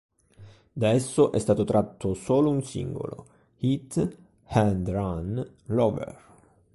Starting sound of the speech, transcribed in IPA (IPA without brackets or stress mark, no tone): d̪